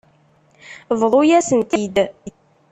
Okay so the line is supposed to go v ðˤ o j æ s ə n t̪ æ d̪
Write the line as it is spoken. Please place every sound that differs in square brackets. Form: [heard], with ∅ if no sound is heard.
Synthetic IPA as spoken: v ðˤ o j æ s ə n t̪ [i] d̪